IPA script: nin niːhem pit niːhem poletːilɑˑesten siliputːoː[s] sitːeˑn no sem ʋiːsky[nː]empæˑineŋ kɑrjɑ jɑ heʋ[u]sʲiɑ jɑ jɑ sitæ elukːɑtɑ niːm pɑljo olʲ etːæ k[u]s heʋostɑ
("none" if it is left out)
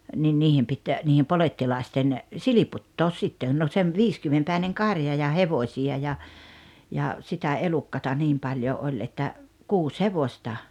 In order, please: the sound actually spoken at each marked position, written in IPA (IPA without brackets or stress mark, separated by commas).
s, mː, o, uː